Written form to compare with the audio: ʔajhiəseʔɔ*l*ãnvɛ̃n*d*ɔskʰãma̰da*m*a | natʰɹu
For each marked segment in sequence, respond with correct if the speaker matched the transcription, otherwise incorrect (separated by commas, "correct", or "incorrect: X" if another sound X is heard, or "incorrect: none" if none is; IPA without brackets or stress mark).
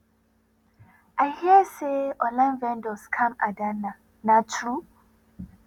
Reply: correct, correct, incorrect: n